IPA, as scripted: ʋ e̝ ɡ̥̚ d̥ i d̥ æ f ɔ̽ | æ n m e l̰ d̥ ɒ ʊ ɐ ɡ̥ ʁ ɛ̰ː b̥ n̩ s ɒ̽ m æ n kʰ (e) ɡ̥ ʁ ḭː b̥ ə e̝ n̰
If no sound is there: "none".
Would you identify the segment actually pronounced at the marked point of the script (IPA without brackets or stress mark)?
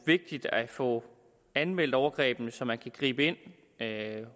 æ